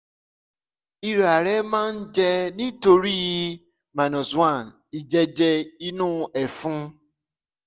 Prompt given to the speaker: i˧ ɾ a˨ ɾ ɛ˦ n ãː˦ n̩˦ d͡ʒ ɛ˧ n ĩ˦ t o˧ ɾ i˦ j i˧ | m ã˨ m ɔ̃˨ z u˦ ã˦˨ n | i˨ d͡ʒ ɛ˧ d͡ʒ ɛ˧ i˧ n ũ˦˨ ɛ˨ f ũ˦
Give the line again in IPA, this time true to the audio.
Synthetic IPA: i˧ ɾ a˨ ɾ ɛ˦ m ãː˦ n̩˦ d͡ʒ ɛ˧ n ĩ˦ t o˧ ɾ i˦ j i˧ | m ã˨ n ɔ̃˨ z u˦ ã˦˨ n | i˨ d͡ʒ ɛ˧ d͡ʒ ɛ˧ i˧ n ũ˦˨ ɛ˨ f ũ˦